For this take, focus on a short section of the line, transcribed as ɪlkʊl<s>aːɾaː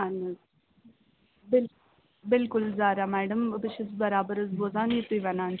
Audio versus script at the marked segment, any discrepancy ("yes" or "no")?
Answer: yes